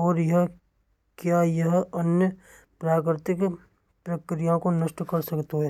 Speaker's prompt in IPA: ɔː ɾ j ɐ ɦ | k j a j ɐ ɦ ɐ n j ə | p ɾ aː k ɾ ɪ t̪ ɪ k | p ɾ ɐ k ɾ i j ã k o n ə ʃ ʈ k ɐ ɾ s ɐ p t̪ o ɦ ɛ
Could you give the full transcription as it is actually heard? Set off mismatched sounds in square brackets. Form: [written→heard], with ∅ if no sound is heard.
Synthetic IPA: ɔː ɾ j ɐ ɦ | k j a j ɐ ɦ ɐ n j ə | p ɾ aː k ɾ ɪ t̪ ɪ k | p ɾ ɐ k ɾ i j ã k o n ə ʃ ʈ k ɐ ɾ s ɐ [p→k] t̪ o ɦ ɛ